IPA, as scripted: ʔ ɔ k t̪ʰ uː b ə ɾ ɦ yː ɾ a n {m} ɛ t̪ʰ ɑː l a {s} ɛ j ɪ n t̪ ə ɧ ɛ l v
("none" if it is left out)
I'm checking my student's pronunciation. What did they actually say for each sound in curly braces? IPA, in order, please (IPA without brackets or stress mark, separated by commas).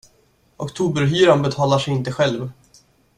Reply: b, ʂ